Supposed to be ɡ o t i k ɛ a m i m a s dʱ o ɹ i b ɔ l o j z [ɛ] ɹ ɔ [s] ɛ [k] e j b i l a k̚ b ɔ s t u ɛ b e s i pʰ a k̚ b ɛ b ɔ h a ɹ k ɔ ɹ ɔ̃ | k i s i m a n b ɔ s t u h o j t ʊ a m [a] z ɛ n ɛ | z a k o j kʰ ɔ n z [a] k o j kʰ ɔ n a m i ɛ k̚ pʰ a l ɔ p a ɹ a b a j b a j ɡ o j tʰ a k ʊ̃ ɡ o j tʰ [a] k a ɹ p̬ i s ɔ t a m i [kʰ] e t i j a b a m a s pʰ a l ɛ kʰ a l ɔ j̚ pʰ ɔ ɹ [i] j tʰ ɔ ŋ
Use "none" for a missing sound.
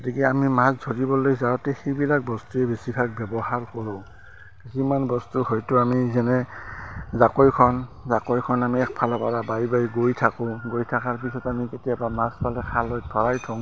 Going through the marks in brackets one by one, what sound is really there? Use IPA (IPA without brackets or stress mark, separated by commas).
a, t, x, i, a, a, k, a